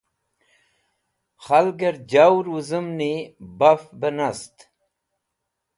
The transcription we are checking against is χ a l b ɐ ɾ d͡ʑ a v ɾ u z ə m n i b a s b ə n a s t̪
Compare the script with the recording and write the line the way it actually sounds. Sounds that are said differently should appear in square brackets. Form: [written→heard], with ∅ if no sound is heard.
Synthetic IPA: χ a l [b→ɡ] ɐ ɾ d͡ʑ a [v→w] ɾ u z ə m n i b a [s→f] b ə n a s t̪